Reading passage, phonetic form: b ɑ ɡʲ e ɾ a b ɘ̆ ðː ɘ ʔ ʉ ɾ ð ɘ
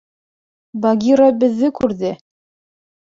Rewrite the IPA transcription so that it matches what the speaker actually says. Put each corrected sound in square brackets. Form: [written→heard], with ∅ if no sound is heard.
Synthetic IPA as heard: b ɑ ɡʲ [e→i] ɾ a b ɘ̆ ðː ɘ [ʔ→k] ʉ ɾ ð ɘ